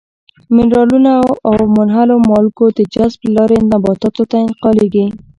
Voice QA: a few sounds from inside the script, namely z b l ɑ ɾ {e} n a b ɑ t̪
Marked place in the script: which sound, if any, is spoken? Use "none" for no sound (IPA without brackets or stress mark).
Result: e